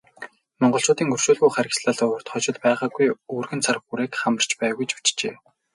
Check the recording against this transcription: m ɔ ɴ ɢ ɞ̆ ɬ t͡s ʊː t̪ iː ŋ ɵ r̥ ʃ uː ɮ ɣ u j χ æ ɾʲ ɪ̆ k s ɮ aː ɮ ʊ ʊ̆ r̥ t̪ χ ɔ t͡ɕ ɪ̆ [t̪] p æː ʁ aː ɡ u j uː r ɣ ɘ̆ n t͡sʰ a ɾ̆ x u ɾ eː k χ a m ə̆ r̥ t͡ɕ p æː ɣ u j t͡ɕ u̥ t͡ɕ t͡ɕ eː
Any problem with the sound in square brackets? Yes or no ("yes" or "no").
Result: no